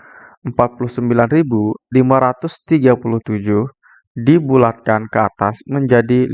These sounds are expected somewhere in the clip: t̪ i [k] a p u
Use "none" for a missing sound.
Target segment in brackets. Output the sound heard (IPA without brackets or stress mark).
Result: ɡ